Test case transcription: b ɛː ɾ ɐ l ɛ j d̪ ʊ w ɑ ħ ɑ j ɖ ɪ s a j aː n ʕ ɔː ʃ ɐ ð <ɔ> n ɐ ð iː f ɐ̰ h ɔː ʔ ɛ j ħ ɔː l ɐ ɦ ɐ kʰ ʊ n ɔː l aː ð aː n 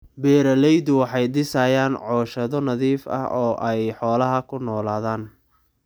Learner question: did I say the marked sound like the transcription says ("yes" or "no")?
yes